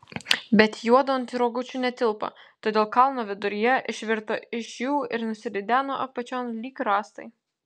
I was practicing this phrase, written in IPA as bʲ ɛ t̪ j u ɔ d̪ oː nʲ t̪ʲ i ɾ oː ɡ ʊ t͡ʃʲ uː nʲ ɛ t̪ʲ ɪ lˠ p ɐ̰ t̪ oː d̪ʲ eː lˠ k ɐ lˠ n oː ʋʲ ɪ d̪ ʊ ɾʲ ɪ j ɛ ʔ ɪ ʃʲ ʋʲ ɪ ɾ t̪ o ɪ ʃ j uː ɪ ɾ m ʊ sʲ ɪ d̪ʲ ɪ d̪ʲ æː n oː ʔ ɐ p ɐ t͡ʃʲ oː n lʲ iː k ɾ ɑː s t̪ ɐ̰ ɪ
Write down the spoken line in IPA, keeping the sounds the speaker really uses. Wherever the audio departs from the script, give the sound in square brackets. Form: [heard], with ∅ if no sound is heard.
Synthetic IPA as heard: bʲ ɛ t̪ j u ɔ d̪ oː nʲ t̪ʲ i ɾ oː ɡ ʊ t͡ʃʲ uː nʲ ɛ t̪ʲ ɪ lˠ p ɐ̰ t̪ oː d̪ʲ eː lˠ k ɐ lˠ n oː ʋʲ ɪ d̪ ʊ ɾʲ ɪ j ɛ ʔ ɪ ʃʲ ʋʲ ɪ ɾ t̪ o ɪ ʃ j uː ɪ ɾ [n] ʊ sʲ ɪ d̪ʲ ɪ d̪ʲ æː n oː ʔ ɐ p ɐ t͡ʃʲ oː n lʲ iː k ɾ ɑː s t̪ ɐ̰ ɪ